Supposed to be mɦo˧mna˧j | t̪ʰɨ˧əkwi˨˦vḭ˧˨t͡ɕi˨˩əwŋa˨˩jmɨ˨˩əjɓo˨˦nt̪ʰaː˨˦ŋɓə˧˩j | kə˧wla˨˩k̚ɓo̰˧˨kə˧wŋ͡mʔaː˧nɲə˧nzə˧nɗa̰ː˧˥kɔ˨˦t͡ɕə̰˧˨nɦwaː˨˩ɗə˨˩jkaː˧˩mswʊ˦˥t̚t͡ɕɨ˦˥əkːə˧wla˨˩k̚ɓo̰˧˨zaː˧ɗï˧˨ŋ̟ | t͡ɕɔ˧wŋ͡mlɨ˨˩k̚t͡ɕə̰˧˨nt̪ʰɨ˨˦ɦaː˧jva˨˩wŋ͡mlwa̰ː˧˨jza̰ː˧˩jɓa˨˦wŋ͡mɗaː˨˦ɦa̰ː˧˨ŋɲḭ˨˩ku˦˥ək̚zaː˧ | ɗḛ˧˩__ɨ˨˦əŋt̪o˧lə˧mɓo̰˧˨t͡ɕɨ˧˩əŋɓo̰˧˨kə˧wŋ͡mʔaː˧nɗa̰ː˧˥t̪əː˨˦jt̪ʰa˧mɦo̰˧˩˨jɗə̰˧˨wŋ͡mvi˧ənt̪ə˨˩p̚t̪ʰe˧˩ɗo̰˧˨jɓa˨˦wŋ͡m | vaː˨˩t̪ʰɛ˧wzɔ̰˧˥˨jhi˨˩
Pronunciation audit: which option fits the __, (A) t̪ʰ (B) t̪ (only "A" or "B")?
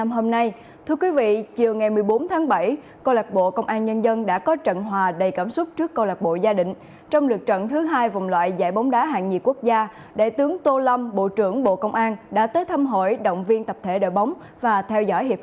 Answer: B